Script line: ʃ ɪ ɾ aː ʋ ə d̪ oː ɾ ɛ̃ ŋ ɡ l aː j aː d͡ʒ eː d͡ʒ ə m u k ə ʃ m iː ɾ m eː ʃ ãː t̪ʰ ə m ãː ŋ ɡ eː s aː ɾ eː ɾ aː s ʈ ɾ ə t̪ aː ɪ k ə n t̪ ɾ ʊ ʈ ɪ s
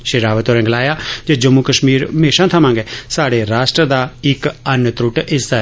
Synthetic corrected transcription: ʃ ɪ ɾ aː ʋ ə t̪ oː ɾ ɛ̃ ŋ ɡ l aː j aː d͡ʒ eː d͡ʒ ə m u k ə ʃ m iː ɾ m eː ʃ ãː t̪ʰ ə m ãː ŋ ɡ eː s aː ɽ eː ɾ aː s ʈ ɾ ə d̪ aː ɪ k ə n t̪ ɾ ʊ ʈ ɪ s